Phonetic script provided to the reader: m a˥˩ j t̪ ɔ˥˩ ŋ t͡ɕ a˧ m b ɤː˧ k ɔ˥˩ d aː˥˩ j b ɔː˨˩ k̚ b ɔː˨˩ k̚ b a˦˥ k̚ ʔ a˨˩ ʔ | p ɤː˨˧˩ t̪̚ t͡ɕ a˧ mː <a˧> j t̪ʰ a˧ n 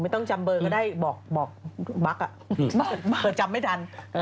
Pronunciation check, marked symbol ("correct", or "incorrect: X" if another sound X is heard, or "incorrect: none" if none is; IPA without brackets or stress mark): incorrect: a˥˩